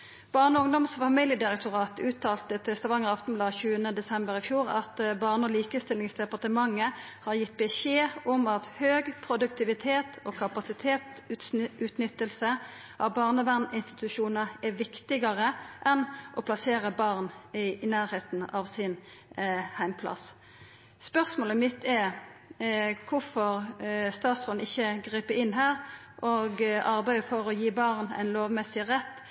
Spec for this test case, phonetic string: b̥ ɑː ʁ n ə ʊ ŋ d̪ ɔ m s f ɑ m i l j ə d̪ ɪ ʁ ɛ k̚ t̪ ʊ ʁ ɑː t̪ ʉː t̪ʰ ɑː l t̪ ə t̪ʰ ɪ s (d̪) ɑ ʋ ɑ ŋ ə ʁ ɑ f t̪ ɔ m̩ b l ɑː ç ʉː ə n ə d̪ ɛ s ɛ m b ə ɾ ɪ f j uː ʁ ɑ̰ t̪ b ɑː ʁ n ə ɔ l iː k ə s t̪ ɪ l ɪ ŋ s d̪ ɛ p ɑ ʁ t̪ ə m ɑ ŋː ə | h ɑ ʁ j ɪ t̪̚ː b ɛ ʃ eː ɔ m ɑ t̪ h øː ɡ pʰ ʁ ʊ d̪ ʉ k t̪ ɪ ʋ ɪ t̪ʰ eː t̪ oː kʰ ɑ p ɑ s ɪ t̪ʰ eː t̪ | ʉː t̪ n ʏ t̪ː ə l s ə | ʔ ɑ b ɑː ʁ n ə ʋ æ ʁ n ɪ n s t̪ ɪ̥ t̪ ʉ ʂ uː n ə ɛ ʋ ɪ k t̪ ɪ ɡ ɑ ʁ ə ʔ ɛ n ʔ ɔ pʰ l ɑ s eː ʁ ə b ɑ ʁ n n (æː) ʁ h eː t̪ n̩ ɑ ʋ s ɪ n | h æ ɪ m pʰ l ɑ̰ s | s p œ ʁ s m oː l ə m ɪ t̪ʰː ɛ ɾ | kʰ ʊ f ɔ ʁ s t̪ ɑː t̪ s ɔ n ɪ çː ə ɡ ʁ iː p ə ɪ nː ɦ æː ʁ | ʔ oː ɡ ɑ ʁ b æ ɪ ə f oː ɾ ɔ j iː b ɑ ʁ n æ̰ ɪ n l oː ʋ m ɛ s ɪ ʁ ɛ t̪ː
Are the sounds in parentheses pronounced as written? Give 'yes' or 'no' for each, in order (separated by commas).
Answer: no, yes